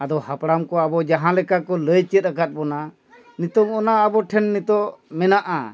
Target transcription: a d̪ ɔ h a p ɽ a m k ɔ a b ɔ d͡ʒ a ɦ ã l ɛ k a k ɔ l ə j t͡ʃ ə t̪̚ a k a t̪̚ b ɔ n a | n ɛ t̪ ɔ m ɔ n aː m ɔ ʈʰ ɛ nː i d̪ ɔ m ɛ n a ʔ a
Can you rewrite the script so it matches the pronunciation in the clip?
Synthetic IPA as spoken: a d̪ ɔ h a p ɽ a m k ɔ a b ɔ d͡ʒ a ɦ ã l ɛ k a k ɔ l ə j t͡ʃ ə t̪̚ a k a t̪̚ b ɔ n a | n i t̪ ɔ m ɔ n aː b ɔ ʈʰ ɛ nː i t̪ ɔ m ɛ n a ʔ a